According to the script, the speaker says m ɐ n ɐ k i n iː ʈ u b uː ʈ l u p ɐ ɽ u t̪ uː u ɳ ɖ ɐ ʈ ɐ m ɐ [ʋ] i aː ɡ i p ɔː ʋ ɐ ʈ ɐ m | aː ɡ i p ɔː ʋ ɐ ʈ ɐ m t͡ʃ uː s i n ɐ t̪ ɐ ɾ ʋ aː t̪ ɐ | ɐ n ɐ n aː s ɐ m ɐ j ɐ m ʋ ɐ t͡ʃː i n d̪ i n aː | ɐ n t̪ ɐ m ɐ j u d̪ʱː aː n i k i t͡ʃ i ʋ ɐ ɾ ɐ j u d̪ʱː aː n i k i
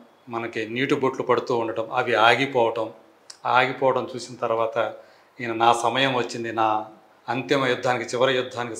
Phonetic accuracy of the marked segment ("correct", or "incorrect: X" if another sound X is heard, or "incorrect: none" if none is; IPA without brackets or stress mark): correct